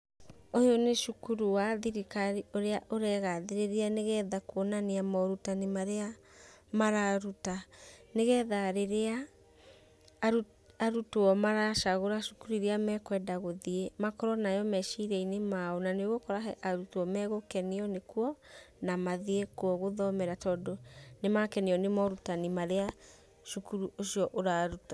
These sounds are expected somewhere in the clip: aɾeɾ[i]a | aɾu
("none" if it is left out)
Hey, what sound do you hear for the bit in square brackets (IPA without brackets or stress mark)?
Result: e